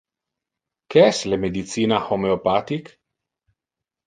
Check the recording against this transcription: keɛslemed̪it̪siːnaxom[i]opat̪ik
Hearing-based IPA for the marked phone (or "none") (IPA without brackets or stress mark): e